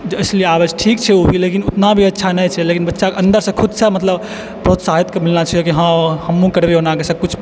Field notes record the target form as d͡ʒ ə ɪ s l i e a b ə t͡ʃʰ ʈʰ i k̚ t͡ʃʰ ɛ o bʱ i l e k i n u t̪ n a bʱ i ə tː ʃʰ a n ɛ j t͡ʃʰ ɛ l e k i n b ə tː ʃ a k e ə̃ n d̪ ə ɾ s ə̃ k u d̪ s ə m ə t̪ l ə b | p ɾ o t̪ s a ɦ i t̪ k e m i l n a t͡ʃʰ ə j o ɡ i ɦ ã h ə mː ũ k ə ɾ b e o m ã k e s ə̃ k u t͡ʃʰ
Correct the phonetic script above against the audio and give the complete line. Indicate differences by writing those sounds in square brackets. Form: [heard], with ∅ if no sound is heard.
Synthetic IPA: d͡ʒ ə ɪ s l i e a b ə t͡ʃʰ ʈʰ i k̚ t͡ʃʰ ɛ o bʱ i l e k i n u t̪ n a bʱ i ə tː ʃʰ a n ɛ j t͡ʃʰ ɛ l e k i n b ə tː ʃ a k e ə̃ n d̪ ə ɾ s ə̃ [kʰ] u d̪ s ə m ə t̪ l ə b | p ɾ o t̪ s a ɦ i t̪ k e m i l n a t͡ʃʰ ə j o [k] i ɦ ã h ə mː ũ k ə ɾ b e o [n] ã k e s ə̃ k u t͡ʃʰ